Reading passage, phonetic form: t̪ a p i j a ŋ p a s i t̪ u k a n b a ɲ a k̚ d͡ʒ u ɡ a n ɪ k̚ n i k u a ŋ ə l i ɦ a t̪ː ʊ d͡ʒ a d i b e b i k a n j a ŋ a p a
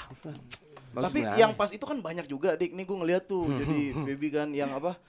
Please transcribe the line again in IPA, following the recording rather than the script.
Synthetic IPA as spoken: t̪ a p i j a ŋ p a s i t̪ u k a n b a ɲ a k̚ d͡ʒ u ɡ a d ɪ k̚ n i ɡ u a ŋ ə l i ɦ a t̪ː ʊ d͡ʒ a d i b e b i k a n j a ŋ a p a